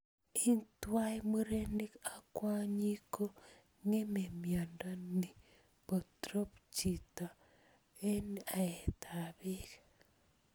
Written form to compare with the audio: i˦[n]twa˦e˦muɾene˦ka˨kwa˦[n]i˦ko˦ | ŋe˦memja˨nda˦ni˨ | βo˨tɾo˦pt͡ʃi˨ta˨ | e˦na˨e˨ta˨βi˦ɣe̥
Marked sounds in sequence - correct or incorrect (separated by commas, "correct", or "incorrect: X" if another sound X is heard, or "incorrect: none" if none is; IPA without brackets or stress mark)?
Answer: correct, incorrect: ɲ